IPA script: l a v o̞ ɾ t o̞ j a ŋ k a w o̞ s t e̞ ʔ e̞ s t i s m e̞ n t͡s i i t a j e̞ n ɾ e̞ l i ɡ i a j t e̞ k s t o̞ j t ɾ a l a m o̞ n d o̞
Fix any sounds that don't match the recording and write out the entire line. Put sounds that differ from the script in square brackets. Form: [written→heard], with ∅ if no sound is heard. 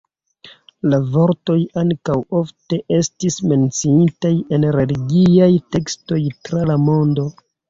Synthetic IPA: l a v o̞ ɾ t o̞ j a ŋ k a w o̞ [s→f] t e̞ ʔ e̞ s t i s m e̞ n t͡s i i t a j e̞ n ɾ e̞ l i ɡ i a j t e̞ k s t o̞ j t ɾ a l a m o̞ n d o̞